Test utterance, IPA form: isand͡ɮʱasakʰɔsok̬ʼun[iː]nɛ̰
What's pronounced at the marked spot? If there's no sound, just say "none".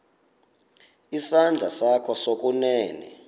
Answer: ɛː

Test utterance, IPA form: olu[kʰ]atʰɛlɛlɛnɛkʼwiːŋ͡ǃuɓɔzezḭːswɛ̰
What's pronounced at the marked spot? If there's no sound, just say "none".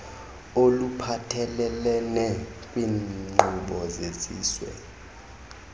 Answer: pʰ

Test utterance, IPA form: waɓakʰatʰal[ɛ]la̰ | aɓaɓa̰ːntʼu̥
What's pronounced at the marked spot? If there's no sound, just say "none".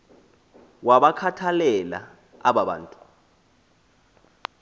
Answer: ɛ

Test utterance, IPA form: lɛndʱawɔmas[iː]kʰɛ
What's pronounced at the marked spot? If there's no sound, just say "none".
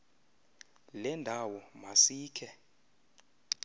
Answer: iː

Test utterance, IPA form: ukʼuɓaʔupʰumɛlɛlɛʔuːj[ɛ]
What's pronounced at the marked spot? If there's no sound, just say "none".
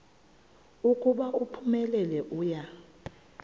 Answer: a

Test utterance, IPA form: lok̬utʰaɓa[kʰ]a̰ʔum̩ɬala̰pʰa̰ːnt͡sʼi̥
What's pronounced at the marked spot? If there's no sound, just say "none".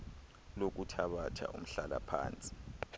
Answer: tʰ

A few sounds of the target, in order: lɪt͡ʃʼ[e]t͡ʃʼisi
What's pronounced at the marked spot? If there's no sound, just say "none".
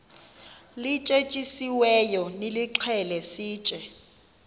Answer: e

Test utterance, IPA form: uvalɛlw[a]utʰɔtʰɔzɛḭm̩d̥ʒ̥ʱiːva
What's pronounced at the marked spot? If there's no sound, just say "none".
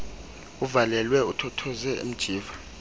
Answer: ɛ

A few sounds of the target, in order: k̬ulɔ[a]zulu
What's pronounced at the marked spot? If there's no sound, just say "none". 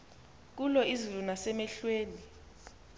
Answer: i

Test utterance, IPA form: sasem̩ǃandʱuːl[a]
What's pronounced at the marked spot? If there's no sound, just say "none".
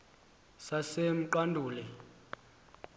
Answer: ɛ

